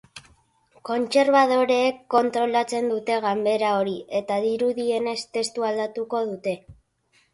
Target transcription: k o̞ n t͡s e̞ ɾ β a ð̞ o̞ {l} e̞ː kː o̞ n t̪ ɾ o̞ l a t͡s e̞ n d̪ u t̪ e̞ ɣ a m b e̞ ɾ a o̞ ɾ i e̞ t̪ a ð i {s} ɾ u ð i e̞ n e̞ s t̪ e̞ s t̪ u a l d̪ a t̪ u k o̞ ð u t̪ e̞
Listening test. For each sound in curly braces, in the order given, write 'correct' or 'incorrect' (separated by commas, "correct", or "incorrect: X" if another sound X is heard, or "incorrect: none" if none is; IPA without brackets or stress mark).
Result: incorrect: ɾ, incorrect: none